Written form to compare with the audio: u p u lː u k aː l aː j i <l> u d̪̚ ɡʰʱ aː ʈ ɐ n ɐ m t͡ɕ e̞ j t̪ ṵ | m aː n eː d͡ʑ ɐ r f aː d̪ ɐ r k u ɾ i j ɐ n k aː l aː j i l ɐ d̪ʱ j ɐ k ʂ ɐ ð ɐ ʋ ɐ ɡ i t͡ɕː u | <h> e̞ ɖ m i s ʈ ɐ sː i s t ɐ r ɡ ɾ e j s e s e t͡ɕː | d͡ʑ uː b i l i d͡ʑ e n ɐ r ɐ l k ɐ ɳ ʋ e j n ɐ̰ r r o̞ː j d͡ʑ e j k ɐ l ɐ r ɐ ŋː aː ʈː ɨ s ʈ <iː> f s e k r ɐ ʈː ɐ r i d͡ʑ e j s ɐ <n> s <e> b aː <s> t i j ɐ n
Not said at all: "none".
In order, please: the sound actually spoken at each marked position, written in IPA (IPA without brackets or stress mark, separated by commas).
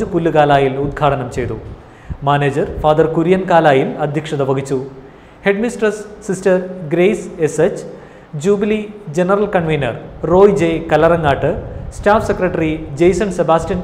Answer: l, h, aː, n, e, s